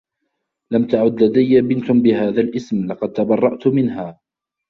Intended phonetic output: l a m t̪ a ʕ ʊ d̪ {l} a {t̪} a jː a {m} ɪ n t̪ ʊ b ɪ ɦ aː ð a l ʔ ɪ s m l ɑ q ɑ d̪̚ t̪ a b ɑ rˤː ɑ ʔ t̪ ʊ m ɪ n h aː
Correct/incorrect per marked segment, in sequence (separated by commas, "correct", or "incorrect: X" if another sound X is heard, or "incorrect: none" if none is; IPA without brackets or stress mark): correct, incorrect: d̪, incorrect: b